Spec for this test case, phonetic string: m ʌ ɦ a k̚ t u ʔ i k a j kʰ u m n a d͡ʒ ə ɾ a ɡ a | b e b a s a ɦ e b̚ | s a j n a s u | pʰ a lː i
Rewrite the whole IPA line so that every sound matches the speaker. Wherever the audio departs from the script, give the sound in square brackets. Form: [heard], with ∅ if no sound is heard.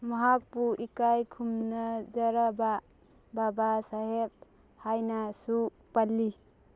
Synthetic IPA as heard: m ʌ ɦ a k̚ [p] u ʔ i k a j kʰ u m n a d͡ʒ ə ɾ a [b] a | b [a] b a s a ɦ e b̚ | [h] a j n a s u | [p] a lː i